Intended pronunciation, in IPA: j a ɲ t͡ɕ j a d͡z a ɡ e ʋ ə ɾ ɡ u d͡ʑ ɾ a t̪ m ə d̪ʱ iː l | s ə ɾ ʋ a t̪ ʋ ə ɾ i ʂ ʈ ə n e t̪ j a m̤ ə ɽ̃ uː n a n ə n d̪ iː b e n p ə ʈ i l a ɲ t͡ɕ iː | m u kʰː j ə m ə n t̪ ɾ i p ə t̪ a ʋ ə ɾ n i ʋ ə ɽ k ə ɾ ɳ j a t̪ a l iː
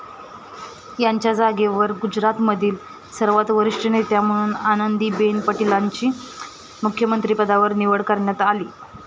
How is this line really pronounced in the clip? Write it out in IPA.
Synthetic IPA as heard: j a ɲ t͡ɕ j a d͡z a ɡ e ʋ ə ɾ ɡ u d͡ʑ ɾ a t̪ m ə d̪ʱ iː l | s ə ɾ ʋ a t̪ ʋ ə ɾ i ʂ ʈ ə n e t̪ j a m̤ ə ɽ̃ uː n a n ə n d̪ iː b e n p ə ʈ i l a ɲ t͡ɕ iː | m u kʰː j ə m ə n t̪ ɾ i p ə d̪ a ʋ ə ɾ n i ʋ ə ɽ k ə ɾ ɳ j a t̪ a l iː